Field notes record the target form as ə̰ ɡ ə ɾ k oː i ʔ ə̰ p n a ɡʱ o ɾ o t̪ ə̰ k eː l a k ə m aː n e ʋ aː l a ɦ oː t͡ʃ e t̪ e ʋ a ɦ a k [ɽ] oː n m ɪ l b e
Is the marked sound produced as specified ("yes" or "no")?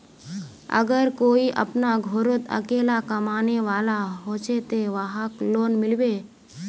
no